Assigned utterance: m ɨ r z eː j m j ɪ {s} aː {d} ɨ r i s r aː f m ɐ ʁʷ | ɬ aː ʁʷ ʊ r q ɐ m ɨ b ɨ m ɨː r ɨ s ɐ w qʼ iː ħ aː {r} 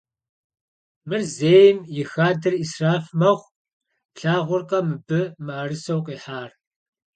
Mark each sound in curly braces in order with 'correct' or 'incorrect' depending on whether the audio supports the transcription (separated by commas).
incorrect, correct, correct